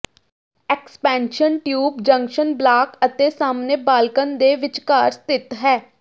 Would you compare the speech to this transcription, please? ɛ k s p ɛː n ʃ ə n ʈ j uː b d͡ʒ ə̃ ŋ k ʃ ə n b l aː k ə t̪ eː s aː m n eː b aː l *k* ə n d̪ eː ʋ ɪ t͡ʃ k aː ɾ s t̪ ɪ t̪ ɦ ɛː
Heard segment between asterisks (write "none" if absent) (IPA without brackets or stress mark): k